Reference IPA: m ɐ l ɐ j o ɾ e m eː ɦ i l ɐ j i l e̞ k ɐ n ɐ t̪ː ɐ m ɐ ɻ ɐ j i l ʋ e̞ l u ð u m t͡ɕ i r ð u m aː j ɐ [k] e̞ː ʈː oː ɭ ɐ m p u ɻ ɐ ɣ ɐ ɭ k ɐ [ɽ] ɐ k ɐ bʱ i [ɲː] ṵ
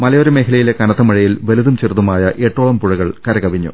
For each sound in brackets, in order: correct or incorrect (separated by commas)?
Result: incorrect, incorrect, correct